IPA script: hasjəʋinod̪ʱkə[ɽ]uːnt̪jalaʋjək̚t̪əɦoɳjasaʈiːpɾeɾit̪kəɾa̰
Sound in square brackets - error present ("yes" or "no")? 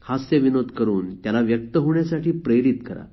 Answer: yes